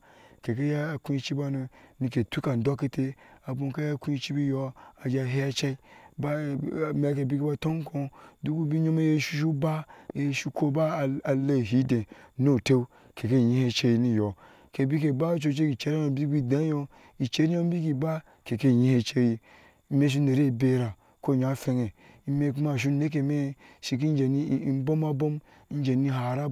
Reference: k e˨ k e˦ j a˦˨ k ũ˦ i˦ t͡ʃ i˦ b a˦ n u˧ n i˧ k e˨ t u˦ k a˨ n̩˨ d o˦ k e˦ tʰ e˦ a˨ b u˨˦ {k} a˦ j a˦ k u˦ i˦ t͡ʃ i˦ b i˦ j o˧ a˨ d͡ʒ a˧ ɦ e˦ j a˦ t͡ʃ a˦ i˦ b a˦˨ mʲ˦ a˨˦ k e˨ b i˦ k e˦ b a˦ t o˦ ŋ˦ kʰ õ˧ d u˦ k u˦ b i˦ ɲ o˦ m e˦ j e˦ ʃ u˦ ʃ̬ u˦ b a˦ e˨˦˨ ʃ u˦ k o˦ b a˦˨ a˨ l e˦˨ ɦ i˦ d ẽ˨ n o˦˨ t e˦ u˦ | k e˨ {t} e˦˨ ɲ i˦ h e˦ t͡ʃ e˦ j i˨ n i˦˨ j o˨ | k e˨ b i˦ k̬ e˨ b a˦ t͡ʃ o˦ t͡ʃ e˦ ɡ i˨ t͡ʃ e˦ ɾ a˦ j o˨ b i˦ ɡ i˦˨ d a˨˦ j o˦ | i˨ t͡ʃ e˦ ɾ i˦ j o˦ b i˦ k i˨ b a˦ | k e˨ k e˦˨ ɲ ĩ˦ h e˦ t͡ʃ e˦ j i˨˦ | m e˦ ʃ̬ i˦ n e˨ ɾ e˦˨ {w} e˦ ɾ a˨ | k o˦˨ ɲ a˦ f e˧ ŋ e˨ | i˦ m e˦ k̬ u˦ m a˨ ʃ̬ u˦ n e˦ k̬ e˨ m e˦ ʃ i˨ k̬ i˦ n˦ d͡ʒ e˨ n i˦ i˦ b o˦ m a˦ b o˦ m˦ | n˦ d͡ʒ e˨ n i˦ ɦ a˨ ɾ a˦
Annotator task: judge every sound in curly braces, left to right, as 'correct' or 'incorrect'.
correct, incorrect: k, incorrect: b

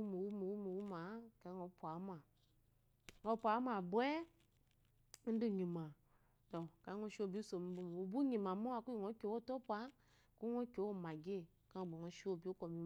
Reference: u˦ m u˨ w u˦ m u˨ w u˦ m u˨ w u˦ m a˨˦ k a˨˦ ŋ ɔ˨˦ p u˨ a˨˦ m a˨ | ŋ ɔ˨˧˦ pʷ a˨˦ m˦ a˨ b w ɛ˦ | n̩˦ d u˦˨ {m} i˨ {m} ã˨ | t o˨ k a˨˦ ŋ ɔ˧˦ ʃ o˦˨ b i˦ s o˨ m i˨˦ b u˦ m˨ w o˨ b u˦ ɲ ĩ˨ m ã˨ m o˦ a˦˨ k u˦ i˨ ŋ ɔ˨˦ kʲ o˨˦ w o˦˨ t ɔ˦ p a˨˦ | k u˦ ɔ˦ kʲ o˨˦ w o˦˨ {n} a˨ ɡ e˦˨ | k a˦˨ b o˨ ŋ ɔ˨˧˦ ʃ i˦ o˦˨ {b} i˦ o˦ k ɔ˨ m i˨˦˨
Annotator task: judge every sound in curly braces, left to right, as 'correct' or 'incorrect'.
incorrect: ɲ, correct, incorrect: m, correct

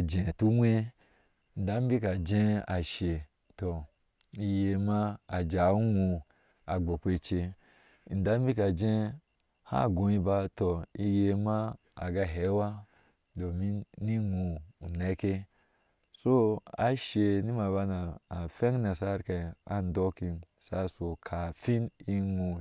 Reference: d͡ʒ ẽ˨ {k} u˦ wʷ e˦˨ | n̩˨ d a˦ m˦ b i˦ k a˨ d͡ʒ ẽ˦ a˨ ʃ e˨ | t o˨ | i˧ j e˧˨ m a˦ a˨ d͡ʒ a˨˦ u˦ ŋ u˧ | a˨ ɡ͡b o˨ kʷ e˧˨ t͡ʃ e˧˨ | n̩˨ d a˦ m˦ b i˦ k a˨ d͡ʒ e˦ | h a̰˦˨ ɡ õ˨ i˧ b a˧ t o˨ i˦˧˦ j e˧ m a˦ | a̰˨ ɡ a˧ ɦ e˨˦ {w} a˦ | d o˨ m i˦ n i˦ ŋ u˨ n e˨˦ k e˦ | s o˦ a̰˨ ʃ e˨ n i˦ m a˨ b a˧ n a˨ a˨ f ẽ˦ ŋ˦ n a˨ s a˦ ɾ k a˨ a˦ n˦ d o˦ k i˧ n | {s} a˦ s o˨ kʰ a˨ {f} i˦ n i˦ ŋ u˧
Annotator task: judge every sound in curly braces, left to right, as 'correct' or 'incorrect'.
incorrect: t, correct, correct, correct

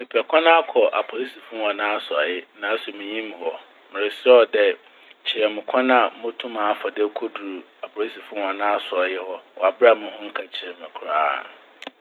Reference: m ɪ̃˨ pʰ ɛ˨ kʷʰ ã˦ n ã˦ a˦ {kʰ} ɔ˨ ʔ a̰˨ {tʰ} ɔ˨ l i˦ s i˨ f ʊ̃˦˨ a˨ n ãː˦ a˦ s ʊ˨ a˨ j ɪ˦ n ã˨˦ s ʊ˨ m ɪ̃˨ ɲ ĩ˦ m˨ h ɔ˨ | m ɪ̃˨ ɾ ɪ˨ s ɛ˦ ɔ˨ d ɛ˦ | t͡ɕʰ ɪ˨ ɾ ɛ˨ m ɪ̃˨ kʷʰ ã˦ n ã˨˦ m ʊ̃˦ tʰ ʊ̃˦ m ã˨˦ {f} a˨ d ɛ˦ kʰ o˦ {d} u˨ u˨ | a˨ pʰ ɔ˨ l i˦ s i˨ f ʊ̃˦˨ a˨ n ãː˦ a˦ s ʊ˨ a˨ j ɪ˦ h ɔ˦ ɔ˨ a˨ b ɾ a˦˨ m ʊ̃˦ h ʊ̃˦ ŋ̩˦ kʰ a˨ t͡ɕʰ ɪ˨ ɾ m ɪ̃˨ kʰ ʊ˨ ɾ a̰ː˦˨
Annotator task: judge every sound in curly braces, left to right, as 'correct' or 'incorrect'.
correct, incorrect: pʰ, correct, correct

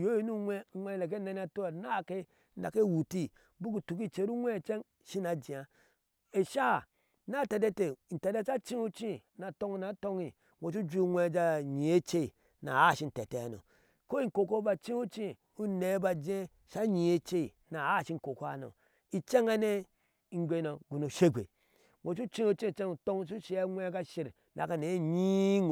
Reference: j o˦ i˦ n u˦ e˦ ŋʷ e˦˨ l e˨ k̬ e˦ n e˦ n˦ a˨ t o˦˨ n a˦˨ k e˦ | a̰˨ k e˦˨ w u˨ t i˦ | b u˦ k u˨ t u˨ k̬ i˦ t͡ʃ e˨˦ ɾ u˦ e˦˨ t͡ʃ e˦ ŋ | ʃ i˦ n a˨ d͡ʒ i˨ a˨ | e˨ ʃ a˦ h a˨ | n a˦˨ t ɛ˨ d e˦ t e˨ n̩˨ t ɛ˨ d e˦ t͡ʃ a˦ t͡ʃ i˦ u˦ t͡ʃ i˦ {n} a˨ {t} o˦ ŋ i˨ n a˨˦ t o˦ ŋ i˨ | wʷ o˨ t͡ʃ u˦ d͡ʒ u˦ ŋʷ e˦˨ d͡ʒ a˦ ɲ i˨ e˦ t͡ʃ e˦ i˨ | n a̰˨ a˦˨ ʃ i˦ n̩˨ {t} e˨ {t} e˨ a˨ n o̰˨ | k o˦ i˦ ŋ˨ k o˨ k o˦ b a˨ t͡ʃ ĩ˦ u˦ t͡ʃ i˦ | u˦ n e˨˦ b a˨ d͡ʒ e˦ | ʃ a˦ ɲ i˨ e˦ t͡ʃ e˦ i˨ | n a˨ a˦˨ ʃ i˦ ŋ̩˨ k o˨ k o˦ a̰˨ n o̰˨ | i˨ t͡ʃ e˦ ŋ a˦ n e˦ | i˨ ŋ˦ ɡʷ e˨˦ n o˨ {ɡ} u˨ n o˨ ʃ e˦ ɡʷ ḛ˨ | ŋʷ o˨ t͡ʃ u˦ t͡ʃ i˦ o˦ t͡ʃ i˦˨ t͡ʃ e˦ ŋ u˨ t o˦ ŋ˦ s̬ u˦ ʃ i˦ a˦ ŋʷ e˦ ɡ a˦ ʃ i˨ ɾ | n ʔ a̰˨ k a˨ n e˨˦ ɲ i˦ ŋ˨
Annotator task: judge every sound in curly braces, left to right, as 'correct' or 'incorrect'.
correct, correct, correct, correct, correct

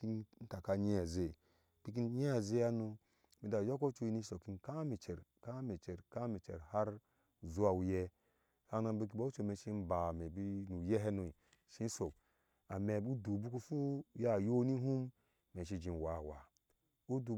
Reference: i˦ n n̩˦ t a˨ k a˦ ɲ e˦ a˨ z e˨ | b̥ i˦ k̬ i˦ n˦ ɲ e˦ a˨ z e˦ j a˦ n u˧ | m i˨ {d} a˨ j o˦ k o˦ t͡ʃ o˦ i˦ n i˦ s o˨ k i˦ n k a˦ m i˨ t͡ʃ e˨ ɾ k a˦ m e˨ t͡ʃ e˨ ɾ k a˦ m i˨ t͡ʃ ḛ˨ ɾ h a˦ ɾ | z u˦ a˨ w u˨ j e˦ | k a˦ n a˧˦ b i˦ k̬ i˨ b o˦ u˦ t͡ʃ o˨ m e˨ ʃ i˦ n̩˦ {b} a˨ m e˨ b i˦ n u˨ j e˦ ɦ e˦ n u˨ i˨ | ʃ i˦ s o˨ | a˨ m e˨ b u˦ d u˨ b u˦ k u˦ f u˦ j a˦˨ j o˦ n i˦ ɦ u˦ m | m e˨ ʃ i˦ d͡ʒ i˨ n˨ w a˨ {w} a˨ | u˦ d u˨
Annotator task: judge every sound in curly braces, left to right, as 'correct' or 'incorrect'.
correct, correct, correct

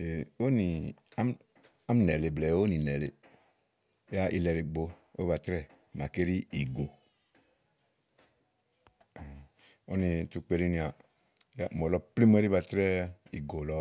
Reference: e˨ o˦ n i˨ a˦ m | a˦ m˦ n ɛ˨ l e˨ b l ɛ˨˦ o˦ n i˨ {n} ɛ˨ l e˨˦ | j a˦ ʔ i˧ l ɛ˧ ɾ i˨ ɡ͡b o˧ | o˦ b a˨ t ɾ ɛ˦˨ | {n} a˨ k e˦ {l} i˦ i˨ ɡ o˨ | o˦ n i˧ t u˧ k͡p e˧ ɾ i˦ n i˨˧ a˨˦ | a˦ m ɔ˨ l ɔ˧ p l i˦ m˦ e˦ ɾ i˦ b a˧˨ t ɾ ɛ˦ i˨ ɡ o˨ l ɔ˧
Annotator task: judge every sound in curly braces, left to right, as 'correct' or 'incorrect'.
correct, incorrect: m, incorrect: ɾ

